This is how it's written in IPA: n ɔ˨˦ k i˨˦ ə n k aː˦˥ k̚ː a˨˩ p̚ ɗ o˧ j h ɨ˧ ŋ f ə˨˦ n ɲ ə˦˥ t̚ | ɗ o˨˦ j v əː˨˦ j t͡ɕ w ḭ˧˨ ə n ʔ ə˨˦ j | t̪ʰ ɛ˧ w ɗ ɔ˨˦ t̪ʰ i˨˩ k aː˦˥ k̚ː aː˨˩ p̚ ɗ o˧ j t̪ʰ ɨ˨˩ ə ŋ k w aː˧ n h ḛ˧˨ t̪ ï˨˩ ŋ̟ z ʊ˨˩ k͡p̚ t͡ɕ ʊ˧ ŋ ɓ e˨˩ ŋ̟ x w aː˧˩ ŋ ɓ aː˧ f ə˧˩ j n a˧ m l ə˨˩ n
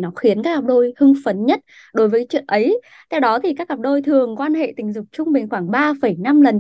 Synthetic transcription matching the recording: n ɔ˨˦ x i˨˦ ə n k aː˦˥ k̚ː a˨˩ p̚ ɗ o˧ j h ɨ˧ ŋ f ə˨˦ n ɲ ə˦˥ t̚ | ɗ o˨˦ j v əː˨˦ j t͡ɕ w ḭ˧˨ ə n ʔ ə˨˦ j | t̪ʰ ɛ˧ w ɗ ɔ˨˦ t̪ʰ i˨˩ k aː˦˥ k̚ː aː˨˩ p̚ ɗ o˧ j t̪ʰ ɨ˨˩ ə ŋ k w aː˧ n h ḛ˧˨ t̪ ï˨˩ ŋ̟ z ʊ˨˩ k͡p̚ t͡ɕ ʊ˧ ŋ͡m ɓ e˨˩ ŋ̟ x w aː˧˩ ŋ ɓ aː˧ f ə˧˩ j n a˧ m l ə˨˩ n